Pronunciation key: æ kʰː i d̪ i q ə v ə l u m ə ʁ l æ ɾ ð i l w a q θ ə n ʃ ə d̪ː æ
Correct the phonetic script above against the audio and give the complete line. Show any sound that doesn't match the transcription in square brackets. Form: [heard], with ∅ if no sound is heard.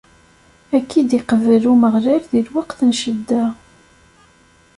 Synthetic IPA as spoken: æ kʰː i d̪ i q ə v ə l u m ə ʁ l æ ɾ ð i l w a q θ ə n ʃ ə d̪ː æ

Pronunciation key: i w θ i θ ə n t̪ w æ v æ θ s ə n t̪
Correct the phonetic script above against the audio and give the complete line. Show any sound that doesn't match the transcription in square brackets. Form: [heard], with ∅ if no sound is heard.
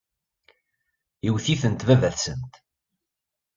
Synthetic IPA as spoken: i w θ i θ ə n t̪ [v] æ v æ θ s ə n t̪

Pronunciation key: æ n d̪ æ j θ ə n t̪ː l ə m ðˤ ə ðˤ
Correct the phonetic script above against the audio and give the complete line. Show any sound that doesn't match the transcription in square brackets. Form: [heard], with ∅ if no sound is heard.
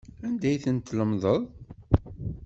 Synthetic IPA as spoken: æ n d̪ æ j θ ə n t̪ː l ə m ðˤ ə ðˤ

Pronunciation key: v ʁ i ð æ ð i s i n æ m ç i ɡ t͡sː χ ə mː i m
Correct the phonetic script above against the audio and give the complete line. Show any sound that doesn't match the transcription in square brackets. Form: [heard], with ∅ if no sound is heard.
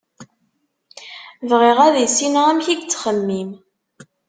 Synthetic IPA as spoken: v ʁ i [ʁ] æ ð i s i n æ m ç i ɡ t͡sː χ ə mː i m

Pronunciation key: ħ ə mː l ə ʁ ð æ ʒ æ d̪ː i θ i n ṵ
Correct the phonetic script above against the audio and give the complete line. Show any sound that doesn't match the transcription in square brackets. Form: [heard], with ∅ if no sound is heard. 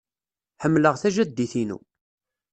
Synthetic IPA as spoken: ħ ə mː l ə ʁ [θ] æ ʒ æ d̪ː i θ i n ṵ

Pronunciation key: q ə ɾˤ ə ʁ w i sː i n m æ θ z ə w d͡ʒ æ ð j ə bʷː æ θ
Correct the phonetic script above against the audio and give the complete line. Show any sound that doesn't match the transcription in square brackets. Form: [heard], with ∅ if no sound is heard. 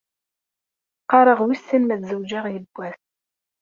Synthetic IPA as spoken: q [ɑ] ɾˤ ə ʁ w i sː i n m æ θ z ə w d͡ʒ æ [ʁ] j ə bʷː æ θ

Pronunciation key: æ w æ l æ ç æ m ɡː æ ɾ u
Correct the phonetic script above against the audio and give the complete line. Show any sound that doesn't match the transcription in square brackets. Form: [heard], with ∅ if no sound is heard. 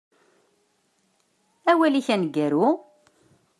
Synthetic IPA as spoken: æ w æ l [i] ç æ [n] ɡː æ ɾ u

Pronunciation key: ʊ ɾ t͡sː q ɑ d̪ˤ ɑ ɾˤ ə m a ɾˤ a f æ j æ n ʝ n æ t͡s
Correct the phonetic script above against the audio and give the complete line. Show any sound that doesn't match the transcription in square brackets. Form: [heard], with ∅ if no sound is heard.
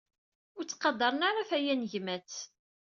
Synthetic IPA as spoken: ʊ ɾ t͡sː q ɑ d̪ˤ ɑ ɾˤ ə [n] a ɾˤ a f æ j æ n ʝ [m] æ t͡s

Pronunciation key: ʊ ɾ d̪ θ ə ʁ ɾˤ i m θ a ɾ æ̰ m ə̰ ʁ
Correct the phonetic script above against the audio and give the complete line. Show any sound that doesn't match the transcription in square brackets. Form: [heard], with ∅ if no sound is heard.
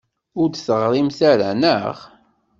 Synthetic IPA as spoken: ʊ ɾ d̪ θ ə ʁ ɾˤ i m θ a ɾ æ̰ [n] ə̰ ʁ

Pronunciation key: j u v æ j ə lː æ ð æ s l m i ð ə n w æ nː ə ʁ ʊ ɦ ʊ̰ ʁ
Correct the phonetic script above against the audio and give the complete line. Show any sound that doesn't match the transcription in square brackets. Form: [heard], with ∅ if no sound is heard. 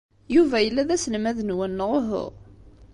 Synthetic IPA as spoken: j u v æ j ə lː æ ð æ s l m [æ] ð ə n w æ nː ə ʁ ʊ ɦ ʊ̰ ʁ

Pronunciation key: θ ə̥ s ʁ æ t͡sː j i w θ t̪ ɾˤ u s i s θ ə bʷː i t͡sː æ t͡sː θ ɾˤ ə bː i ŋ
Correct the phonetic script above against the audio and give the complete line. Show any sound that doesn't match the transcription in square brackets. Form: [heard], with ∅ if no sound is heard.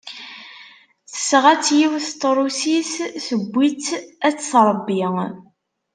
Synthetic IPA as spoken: θ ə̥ s ʁ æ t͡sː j i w θ t̪ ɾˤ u s i s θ ə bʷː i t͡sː æ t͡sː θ ɾˤ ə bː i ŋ

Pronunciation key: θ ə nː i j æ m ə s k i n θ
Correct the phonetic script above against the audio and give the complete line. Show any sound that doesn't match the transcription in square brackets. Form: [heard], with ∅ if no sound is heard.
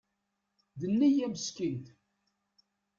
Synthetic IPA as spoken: [ð] ə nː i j æ m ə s k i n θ

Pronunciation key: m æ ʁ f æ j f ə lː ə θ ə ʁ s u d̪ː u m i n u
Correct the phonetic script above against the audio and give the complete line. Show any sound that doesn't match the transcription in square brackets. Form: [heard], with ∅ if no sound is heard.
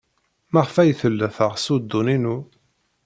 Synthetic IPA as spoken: m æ ʁ f æ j [θ] ə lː ə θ ə ʁ s u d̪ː u [n] i n u

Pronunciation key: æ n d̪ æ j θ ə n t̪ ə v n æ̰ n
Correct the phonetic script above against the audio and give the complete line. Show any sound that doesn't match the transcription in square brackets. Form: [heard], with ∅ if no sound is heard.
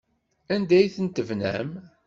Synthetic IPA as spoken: æ n d̪ æ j θ ə n t̪ ə v n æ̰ [m]

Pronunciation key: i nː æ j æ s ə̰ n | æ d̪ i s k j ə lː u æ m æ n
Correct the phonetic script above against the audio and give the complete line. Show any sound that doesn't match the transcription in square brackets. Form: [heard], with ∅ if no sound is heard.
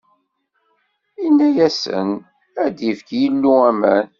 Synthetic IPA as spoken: i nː æ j æ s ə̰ n | æ d̪ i [f] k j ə lː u æ m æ n

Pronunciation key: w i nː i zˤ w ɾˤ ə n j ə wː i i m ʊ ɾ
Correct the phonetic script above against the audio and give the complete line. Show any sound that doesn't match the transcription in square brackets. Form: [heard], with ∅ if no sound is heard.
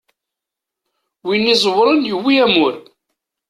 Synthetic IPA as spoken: w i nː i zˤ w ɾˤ ə n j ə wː i [æ] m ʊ ɾ

